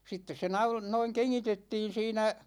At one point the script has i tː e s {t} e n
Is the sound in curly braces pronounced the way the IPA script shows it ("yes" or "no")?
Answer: no